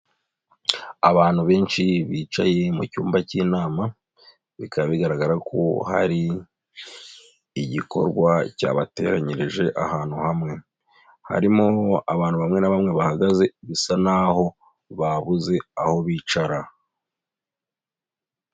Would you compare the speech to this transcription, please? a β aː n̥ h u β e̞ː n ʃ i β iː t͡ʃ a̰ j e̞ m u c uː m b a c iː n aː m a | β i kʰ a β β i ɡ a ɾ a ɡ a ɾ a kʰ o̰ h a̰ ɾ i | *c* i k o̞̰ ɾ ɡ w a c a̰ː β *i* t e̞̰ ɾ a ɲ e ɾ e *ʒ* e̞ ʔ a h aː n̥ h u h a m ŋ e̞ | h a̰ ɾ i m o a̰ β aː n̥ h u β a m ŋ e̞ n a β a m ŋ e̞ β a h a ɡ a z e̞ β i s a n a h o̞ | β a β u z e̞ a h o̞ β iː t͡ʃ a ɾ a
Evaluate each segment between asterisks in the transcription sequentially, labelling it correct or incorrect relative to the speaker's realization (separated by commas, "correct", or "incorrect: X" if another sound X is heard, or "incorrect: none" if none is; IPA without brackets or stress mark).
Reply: incorrect: ɟ, incorrect: a, correct